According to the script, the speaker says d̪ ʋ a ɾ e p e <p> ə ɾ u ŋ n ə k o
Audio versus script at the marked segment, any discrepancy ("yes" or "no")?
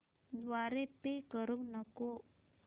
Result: yes